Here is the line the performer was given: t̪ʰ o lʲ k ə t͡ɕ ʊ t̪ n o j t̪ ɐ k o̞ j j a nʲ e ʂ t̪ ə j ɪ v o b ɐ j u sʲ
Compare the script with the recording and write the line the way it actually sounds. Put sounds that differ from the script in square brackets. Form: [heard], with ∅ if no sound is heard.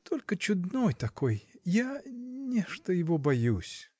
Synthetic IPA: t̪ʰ o lʲ k ə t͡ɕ ʊ [d̪] n o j t̪ ɐ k o̞ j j a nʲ e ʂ t̪ ə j ɪ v o b ɐ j u sʲ